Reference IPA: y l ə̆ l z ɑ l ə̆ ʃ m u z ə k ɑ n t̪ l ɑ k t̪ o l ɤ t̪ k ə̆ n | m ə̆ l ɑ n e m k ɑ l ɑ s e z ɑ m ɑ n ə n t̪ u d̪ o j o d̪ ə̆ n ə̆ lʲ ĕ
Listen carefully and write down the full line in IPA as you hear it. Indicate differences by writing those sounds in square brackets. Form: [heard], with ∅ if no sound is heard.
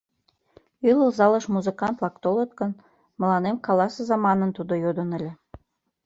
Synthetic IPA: y l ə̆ l z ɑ l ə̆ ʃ m u z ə k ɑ n t̪ l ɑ k t̪ o l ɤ t̪ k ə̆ n | m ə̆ l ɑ n e m k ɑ l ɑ s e z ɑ m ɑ n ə n t̪ u d̪ o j o d̪ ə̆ n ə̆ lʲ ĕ